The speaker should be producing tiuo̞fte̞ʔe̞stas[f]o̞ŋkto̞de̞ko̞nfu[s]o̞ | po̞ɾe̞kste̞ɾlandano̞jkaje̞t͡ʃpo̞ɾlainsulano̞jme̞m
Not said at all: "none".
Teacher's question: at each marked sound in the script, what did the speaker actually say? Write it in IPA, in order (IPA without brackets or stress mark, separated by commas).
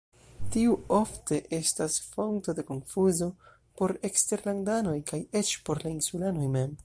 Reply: f, z